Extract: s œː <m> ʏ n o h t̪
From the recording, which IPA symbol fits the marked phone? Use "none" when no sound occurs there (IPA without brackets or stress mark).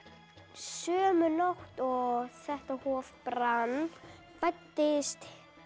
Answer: m